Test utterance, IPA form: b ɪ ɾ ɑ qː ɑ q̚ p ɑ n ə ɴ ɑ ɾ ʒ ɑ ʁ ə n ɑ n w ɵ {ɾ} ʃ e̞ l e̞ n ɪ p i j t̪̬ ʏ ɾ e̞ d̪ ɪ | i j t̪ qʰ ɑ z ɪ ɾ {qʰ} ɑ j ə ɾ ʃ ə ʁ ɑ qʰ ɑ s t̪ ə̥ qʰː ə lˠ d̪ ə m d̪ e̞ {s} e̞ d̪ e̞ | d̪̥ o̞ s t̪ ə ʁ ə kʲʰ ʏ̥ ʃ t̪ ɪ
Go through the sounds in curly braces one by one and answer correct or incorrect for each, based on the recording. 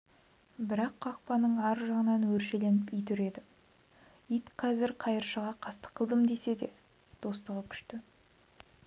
correct, correct, correct

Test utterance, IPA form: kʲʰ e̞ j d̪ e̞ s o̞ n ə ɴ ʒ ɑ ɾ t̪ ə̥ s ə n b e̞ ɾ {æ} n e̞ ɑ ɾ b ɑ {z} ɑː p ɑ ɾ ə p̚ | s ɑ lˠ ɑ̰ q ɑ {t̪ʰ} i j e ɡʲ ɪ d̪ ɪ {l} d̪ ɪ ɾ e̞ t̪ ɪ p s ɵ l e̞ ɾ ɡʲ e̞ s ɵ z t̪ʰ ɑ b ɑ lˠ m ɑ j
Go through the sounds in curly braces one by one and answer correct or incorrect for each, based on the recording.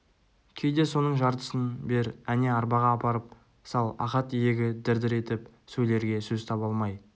correct, incorrect: ʁ, incorrect: t̪, incorrect: ɾ

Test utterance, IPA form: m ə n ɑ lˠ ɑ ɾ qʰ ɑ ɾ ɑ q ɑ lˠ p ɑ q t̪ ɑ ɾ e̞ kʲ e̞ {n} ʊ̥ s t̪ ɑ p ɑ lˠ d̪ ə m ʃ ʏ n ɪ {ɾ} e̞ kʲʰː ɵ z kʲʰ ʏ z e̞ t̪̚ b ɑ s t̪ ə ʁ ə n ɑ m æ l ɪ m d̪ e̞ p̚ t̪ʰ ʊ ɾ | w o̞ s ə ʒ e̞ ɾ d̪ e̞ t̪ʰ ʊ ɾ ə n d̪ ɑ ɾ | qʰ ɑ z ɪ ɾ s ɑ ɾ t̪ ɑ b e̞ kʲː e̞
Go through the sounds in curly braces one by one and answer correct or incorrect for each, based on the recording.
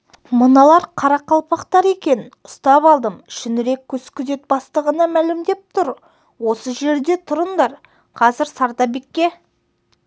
correct, correct

